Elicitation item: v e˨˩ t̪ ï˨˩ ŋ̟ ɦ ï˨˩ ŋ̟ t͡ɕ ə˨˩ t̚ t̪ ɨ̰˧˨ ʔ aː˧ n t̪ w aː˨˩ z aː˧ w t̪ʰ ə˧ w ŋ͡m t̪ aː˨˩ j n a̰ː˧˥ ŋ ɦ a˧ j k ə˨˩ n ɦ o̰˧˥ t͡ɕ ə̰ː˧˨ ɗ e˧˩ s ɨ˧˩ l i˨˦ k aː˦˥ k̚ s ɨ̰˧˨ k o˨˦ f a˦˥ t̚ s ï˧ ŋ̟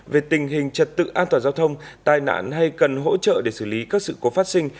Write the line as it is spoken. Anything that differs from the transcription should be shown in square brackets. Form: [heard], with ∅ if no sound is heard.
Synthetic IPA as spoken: v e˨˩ t̪ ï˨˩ ŋ̟ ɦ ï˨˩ ŋ̟ t͡ɕ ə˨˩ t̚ t̪ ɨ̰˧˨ ʔ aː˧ n t̪ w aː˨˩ z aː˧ w t̪ʰ ə˧ w ŋ͡m t̪ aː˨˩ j n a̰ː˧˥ [n] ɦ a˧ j k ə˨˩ n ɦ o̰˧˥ t͡ɕ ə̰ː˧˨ ɗ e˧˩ s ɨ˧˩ l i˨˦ k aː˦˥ k̚ s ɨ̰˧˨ k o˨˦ f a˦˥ t̚ s ï˧ ŋ̟

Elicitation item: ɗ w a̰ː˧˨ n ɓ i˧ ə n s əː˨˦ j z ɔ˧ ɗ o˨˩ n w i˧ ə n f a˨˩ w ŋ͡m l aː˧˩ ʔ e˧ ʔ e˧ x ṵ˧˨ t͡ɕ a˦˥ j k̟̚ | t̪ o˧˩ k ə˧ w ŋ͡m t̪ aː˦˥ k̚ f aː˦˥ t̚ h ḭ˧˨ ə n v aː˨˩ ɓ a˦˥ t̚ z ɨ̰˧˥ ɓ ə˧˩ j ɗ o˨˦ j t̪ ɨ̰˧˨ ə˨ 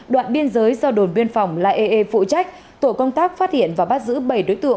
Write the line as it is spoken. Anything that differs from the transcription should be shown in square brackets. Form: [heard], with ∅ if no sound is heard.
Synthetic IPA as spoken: ɗ w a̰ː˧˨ n ɓ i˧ ə n [z] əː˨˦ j z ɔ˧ ɗ o˨˩ n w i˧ ə n f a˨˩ w ŋ͡m l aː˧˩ ʔ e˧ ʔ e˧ [f] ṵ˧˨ t͡ɕ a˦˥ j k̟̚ | t̪ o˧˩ k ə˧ w ŋ͡m t̪ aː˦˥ k̚ f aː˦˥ t̚ h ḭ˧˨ ə n v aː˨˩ ɓ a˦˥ t̚ z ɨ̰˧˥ ɓ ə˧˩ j ɗ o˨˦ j t̪ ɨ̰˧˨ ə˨

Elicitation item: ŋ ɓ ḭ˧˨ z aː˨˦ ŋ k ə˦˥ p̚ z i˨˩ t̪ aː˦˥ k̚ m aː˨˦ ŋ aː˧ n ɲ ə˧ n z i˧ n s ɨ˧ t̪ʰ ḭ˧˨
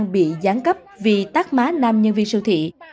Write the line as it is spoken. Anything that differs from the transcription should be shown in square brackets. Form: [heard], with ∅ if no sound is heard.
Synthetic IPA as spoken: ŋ ɓ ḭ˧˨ z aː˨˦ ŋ k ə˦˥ p̚ [v] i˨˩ t̪ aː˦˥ k̚ m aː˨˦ [n] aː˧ [m] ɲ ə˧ n [v] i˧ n s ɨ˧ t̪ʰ ḭ˧˨

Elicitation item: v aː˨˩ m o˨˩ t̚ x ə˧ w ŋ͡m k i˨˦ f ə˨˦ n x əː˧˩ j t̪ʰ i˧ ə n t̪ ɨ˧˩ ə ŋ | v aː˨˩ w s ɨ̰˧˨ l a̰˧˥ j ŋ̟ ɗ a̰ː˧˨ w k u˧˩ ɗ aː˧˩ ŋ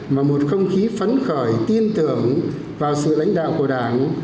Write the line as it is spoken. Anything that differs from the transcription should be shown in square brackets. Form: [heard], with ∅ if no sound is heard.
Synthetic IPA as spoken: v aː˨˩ m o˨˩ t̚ x ə˧ w ŋ͡m [x] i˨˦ f ə˨˦ n x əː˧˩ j [t̪] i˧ ə n t̪ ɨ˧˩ ə ŋ | v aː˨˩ w s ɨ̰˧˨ l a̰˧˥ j ŋ̟ ɗ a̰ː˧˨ w k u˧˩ ɗ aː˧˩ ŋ

